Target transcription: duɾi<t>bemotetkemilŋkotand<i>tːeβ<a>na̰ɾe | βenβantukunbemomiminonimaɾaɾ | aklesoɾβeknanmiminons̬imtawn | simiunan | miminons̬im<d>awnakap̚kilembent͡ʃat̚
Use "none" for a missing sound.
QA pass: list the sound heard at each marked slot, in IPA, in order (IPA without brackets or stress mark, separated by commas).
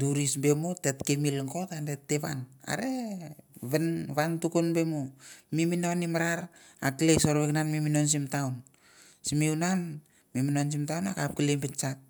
s, e, a, t